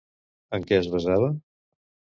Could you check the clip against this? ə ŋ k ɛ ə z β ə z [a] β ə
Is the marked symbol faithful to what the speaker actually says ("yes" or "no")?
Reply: yes